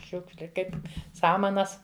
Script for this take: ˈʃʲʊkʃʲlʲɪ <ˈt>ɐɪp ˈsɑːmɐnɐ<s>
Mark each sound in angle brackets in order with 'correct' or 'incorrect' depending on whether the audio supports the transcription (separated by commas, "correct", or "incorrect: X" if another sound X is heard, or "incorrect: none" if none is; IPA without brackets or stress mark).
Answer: incorrect: k, correct